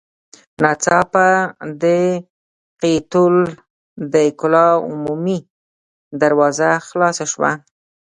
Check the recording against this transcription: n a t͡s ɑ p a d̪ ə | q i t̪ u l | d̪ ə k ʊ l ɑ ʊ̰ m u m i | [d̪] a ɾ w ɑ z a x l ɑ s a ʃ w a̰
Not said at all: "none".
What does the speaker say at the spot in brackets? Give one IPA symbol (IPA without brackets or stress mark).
d̪